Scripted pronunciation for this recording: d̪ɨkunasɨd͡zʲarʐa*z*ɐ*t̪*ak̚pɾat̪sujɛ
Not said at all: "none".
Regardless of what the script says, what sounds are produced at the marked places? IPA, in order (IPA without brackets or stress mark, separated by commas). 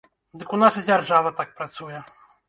v, t̪